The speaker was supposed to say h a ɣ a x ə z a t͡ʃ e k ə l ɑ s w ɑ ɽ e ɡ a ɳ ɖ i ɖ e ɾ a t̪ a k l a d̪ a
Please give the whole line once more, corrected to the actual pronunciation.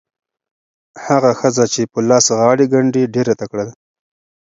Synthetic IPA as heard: h a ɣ a x ə z a t͡ʃ e p ə l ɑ s ɣ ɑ ɽ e ɡ a ɳ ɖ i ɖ e ɾ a t̪ a k ɽ a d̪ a